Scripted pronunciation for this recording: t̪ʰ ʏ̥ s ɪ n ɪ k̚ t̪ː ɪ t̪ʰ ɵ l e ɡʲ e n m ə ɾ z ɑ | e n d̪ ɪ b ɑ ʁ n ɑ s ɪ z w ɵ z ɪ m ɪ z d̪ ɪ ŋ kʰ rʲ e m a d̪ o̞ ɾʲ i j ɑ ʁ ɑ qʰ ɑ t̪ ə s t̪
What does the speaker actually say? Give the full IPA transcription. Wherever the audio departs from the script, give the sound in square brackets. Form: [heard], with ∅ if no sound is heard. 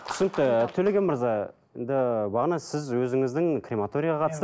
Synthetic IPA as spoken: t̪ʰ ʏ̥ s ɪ n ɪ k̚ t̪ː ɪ t̪ʰ ɵ l e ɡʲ e n m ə ɾ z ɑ | e n d̪ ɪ b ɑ ʁ n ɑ s ɪ z w ɵ z ɪ [ŋ] ɪ z d̪ ɪ ŋ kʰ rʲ e m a [t̪] o̞ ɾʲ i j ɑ ʁ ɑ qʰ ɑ t̪ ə s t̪

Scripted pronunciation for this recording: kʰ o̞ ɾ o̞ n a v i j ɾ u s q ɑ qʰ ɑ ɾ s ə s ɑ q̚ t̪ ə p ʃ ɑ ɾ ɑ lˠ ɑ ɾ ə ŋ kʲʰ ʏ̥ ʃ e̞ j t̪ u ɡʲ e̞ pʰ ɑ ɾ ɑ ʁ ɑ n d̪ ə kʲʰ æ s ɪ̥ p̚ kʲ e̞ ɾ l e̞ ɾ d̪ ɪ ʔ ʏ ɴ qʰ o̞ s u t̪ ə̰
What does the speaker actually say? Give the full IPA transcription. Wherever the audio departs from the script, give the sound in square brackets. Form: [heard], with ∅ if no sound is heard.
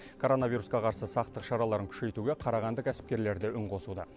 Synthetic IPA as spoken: kʰ o̞ ɾ o̞ n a v i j ɾ u s q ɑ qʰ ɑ ɾ s ə s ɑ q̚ t̪ ə [q] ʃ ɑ ɾ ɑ lˠ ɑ ɾ ə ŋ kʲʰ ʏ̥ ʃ e̞ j t̪ u ɡʲ e̞ [qʰ] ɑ ɾ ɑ ʁ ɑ n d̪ ə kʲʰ æ s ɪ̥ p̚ kʲ e̞ ɾ l e̞ ɾ d̪ ɪ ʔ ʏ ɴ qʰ o̞ s u [d̪] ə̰

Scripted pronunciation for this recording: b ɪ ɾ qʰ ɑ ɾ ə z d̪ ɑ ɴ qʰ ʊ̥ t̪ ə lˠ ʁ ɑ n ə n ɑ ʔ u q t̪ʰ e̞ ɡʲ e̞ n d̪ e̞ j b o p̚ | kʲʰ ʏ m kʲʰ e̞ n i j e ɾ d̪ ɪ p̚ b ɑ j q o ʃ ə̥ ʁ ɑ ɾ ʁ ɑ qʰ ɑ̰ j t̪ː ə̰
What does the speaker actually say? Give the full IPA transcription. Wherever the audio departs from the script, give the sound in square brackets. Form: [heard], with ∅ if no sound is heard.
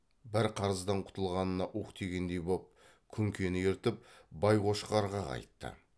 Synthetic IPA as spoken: b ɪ ɾ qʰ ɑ ɾ ə z d̪ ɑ ɴ qʰ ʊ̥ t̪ ə lˠ ʁ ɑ n ə n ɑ ʔ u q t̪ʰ e̞ ɡʲ e̞ n d̪ e̞ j b o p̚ | kʲʰ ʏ [ŋ] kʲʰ e̞ n [ɪ] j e ɾ [t̪] ɪ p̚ b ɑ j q o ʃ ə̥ ʁ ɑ ɾ ʁ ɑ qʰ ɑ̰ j t̪ː ə̰

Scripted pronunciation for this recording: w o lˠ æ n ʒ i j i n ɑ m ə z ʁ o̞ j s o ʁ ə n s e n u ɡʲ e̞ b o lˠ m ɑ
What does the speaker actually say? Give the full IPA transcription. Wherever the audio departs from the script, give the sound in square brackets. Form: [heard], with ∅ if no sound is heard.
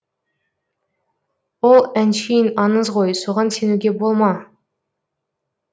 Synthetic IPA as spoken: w o lˠ æ n [ʃ] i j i n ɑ [n] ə z ʁ o̞ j s o ʁ [ɑ] n s e n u ɡʲ e̞ b o lˠ m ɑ

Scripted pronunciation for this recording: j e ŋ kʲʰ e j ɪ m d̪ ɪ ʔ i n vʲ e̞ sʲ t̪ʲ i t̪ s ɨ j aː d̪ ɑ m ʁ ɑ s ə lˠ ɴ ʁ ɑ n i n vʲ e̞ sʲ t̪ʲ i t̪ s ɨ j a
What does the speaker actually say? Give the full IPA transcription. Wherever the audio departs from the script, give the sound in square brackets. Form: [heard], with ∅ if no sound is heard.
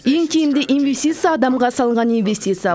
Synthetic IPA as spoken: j e ŋ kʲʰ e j ɪ m d̪ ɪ ʔ i n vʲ e̞ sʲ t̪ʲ i t̪ s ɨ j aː d̪ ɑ m ʁ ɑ s [ɑ] lˠ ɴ ʁ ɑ n i n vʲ e̞ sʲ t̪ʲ i t̪ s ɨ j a

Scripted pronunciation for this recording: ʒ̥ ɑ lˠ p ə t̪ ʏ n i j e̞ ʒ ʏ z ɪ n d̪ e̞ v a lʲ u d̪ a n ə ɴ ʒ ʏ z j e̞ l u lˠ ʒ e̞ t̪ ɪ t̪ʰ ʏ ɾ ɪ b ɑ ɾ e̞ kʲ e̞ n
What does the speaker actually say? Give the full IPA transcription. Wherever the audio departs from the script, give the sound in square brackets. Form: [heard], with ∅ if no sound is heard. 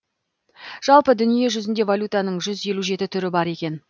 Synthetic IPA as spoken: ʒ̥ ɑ lˠ p ə [d̪] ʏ n i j e̞ ʒ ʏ z ɪ n d̪ e̞ v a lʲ u [t̪] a n ə ɴ ʒ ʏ z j e̞ l u [∅] ʒ e̞ t̪ ɪ t̪ʰ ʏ ɾ ɪ b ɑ ɾ e̞ kʲ e̞ n

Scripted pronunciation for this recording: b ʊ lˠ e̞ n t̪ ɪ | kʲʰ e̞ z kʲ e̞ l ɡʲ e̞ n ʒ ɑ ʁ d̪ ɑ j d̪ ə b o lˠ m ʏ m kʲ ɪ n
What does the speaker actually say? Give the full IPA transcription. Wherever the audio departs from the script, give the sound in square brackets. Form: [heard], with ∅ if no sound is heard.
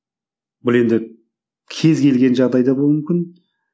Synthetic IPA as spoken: b ʊ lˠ e̞ n [d̪] ɪ | kʲʰ e̞ z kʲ e̞ l ɡʲ e̞ n ʒ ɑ ʁ d̪ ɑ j d̪ [ɑ] b o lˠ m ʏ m kʲ ɪ n

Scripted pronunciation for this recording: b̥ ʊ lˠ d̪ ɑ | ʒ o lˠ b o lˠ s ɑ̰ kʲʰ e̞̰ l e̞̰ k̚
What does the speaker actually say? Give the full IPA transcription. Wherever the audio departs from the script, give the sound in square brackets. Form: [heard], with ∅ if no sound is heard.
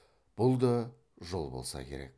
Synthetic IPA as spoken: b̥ ʊ lˠ d̪ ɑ | ʒ o lˠ b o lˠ s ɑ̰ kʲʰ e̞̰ [ɾ] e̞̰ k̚

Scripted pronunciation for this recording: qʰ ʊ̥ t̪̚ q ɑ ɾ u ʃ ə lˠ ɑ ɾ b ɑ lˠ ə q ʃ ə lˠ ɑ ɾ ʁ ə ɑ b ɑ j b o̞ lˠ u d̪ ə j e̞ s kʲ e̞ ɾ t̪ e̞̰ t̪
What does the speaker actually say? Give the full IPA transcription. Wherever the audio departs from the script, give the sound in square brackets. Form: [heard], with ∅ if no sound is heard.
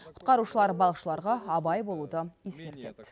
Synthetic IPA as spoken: qʰ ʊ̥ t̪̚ q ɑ ɾ u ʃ ə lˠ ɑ ɾ b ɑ lˠ ə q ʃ ə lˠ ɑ ɾ ʁ [ɑ] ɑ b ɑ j b o̞ lˠ u d̪ ə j e̞ s kʲ e̞ ɾ t̪ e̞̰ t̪

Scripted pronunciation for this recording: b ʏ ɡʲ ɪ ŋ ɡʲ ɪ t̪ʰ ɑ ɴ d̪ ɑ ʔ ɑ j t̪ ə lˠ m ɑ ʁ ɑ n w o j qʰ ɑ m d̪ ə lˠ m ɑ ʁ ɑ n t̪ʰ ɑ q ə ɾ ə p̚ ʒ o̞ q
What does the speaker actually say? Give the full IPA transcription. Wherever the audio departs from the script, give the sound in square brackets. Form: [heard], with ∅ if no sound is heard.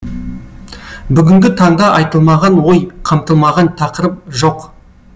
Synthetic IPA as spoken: b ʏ ɡʲ ɪ ŋ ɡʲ ɪ t̪ʰ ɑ ɴ d̪ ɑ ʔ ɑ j t̪ ə lˠ m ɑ ʁ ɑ n w o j qʰ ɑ m [t̪] ə lˠ m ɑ ʁ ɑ n t̪ʰ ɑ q ə ɾ ə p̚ ʒ o̞ q

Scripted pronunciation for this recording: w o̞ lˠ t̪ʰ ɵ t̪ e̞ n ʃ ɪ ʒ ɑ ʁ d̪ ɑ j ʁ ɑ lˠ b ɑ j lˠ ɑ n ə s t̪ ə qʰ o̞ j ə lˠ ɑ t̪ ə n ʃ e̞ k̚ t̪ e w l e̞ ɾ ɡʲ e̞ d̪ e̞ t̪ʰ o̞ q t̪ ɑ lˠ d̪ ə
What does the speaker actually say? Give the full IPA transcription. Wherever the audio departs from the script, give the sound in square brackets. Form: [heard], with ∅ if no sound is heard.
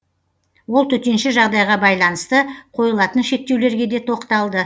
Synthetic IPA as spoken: w o̞ lˠ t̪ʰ ɵ t̪ e̞ n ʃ ɪ ʒ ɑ ʁ d̪ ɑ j ʁ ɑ [∅] b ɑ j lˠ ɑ n ə s t̪ ə qʰ o̞ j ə lˠ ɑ t̪ ə n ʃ e̞ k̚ t̪ e w l e̞ ɾ ɡʲ e̞ d̪ e̞ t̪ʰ o̞ q t̪ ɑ lˠ d̪ ə

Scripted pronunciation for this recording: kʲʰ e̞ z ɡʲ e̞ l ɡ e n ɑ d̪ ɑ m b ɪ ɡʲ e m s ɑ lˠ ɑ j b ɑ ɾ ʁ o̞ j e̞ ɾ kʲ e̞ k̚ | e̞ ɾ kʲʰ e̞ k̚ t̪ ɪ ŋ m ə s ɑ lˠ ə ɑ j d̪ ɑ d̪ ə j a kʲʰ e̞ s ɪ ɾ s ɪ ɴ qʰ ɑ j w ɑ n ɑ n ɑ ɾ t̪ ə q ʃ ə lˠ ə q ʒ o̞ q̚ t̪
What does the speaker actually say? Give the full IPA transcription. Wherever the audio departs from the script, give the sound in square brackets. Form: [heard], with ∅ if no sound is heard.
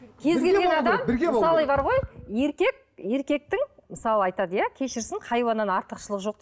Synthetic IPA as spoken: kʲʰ e̞ z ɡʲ e̞ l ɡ e n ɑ d̪ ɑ m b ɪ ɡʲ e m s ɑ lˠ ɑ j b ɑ ɾ ʁ o̞ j e̞ ɾ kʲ e̞ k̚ | e̞ ɾ [kʲ] e̞ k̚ t̪ ɪ ŋ m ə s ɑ lˠ ə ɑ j [t̪] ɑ d̪ ə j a kʲʰ e̞ [ʃ] ɪ ɾ s ɪ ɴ qʰ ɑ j w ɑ n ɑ n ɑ ɾ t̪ ə q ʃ ə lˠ ə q ʒ o̞ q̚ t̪

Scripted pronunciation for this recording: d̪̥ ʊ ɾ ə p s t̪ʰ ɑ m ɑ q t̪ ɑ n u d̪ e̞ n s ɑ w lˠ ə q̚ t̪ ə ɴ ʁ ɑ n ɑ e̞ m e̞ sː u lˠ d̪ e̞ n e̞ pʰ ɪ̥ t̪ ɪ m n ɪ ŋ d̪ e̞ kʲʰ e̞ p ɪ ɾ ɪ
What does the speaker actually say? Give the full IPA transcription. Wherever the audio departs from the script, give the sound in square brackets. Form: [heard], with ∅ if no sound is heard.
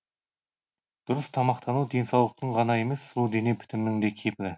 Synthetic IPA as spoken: d̪̥ ʊ ɾ ə [∅] s t̪ʰ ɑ m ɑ q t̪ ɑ n u d̪ e̞ n s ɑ w lˠ ə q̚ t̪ ə ɴ ʁ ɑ n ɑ e̞ m e̞ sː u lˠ d̪ e̞ n e̞ pʰ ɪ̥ t̪ ɪ m n ɪ ŋ d̪ e̞ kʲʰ e̞ p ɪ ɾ ɪ

